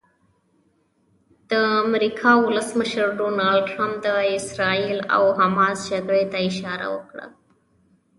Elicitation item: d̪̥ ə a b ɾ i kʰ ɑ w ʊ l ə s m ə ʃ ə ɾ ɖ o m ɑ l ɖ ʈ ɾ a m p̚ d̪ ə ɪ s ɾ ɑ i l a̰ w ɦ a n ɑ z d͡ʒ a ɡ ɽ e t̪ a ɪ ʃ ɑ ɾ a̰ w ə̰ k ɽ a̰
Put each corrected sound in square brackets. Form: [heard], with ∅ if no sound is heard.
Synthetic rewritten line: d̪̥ ə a [m] ɾ i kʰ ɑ w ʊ l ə s m ə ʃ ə ɾ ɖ o [n] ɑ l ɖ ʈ ɾ a m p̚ d̪ ə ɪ s ɾ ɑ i l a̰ w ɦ a [m] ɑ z d͡ʒ a ɡ ɽ e t̪ a ɪ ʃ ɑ ɾ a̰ w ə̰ k ɽ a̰